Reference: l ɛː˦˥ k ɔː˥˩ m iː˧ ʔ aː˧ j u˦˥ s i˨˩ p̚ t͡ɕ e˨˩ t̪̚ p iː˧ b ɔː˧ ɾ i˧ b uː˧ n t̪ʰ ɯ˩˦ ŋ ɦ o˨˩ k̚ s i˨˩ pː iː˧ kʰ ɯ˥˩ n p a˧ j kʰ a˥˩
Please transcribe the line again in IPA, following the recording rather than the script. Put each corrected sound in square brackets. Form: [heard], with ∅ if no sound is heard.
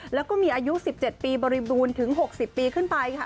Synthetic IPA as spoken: l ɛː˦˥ k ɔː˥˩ m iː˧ ʔ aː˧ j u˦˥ s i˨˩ p̚ t͡ɕ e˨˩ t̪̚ p iː˧ b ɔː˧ ɾ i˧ b uː˧ n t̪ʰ ɯ˩˦ ŋ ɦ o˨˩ k̚ s i˨˩ pː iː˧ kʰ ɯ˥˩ n p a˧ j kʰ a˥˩